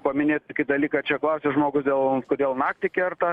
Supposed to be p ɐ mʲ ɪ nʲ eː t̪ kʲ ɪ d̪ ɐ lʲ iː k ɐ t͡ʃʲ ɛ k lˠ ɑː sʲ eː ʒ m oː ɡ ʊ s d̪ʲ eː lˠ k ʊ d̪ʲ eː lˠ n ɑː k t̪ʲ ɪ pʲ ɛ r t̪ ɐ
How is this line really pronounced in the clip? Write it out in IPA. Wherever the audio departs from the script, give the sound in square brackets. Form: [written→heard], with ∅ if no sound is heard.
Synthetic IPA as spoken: p ɐ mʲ ɪ nʲ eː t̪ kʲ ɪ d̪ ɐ lʲ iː k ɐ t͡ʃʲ ɛ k lˠ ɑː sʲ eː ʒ m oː ɡ ʊ s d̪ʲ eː lˠ k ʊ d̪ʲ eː lˠ n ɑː k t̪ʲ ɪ [pʲ→kʲ] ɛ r t̪ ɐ